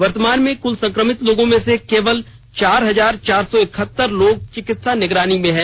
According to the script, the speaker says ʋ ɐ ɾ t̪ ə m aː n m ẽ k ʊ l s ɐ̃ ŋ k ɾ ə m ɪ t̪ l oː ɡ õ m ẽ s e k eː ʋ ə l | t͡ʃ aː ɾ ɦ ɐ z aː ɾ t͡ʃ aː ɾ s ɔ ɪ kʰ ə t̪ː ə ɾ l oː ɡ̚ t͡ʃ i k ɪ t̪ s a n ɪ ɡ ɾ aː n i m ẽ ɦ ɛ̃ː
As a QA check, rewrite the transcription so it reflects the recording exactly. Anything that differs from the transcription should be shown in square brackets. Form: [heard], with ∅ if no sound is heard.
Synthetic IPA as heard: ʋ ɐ ɾ t̪ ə m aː n m ẽ k ʊ l s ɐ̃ ŋ k ɾ ə m ɪ t̪ l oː ɡ õ m ẽ s e k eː ʋ ə l | t͡ʃ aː ɾ ɦ ɐ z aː ɾ t͡ʃ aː ɾ s ɔ ɪ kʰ ə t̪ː ə ɾ l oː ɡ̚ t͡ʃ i k ɪ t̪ s a n ɪ ɡ ɾ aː n i m ẽ ɦ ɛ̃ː